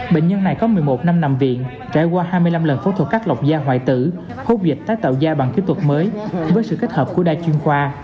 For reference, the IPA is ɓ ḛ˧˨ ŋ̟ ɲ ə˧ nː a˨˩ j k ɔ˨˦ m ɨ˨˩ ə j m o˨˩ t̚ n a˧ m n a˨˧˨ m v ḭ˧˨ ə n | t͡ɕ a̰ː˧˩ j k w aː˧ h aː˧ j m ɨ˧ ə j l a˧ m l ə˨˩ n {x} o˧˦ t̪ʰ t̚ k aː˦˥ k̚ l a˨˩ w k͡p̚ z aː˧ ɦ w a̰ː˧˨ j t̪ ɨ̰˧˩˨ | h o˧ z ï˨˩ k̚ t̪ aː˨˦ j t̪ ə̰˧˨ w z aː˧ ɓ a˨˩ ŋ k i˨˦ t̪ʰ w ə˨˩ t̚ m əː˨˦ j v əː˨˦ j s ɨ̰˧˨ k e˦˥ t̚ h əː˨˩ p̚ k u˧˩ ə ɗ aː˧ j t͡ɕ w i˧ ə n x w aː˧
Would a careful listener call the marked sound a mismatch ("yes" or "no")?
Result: yes